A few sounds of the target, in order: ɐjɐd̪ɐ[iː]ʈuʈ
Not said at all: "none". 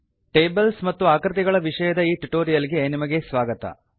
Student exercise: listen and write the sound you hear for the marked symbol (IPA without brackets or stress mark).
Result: iː